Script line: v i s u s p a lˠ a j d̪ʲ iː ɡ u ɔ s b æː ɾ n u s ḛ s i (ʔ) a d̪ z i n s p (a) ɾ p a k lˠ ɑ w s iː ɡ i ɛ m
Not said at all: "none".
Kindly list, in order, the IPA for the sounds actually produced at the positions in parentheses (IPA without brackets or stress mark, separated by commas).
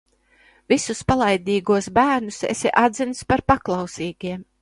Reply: ʔ, a